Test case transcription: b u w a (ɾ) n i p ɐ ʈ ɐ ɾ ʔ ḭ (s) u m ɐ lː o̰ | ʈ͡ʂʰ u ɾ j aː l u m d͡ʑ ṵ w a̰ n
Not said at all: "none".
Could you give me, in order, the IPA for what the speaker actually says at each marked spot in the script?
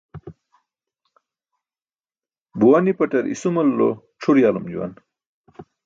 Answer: none, s

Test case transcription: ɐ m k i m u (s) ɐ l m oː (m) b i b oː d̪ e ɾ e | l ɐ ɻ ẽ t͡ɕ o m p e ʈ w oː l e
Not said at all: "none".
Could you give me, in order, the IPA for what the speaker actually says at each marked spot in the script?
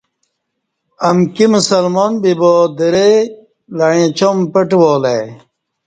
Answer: s, n

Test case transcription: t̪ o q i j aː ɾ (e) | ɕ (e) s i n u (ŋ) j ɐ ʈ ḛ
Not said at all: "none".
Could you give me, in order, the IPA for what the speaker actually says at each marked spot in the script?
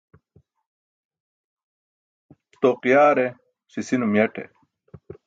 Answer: e, i, m

